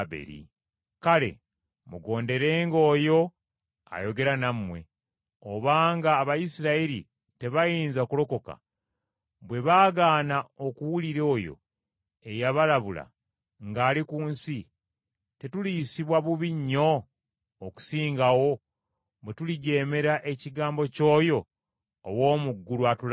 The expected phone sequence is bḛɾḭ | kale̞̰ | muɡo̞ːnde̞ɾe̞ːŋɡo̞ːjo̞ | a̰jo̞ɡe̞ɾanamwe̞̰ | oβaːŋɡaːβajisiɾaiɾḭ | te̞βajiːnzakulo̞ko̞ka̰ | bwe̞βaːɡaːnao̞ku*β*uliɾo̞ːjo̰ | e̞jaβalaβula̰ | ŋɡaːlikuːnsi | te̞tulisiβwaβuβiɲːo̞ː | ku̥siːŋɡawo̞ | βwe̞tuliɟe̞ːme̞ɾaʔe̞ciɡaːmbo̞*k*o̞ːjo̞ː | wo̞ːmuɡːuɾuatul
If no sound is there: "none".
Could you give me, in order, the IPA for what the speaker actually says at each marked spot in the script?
w, c

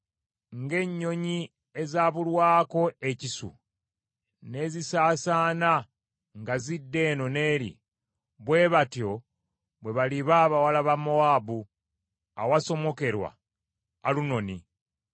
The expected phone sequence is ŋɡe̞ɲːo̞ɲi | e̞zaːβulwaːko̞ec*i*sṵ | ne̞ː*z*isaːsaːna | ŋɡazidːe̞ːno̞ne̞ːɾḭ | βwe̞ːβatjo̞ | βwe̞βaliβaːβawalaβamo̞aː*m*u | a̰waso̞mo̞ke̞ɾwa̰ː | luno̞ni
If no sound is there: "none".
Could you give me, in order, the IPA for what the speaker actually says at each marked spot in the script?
i, z, b

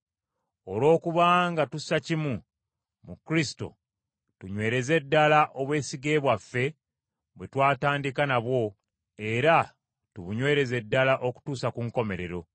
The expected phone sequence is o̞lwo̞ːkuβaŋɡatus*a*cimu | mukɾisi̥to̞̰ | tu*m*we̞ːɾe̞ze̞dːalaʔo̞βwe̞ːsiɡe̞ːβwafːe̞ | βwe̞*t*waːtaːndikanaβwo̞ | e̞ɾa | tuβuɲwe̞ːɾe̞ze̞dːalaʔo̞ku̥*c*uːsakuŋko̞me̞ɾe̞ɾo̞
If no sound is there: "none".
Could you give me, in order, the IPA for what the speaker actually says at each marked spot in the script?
a, ɲ, t, t

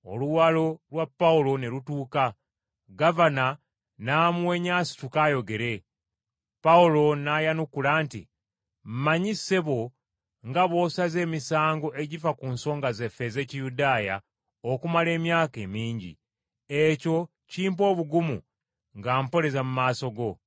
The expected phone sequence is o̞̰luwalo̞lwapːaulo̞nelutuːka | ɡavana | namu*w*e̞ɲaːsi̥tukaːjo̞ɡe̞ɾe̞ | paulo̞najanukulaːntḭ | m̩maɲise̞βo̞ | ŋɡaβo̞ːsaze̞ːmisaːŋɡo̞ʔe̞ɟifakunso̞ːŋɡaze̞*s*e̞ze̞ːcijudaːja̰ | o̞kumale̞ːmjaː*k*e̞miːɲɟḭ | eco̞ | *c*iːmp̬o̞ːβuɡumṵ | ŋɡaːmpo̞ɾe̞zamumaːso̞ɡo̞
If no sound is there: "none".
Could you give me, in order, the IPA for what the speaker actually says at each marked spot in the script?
w, f, k, c

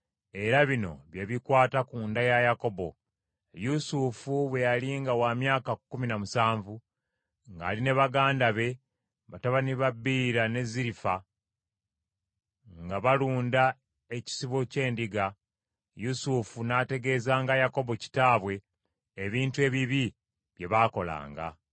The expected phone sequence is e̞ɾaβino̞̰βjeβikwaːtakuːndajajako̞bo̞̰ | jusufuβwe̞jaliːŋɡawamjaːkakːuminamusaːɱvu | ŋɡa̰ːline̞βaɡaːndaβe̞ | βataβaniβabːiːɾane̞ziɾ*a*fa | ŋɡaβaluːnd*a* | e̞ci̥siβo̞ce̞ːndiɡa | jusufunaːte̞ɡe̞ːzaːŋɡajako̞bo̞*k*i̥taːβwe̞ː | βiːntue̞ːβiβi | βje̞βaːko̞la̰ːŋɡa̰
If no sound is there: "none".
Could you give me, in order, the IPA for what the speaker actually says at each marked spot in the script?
i, a, c

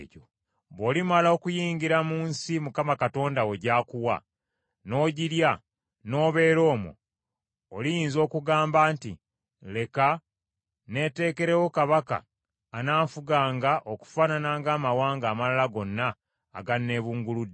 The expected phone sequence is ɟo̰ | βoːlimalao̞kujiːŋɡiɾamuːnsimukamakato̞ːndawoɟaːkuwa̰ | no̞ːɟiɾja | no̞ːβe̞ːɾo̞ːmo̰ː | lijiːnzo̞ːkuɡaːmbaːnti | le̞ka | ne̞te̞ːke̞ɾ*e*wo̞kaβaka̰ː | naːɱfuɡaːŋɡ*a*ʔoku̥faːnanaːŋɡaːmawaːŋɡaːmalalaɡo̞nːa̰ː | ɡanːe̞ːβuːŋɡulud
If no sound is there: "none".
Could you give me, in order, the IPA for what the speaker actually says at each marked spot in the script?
e, a

